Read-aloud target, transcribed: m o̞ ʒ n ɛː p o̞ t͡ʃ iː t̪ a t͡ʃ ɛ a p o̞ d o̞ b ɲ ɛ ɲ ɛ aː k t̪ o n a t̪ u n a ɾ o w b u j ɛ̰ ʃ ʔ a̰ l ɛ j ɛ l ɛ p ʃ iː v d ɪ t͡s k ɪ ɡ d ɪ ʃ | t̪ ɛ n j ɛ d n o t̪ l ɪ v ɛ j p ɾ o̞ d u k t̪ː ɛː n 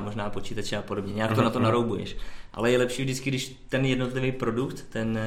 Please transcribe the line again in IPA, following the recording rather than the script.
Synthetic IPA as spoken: m o̞ ʒ n aː p o̞ t͡ʃ iː t̪ a t͡ʃ ɛ a p o̞ d o̞ b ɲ ɛ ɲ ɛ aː k t̪ o n a t̪ o n a ɾ o w b u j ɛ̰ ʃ ʔ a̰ l ɛ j ɛ l ɛ p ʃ iː v d ɪ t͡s k ɪ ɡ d ɪ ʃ | t̪ ɛ n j ɛ d n o t̪ l ɪ v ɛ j p ɾ o̞ d u k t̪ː ɛ n